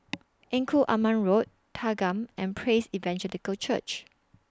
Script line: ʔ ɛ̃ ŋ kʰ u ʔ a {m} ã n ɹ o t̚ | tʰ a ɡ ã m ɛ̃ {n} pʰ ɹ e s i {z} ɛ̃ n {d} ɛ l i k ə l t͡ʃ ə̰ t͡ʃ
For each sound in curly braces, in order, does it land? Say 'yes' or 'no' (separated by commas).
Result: yes, yes, no, no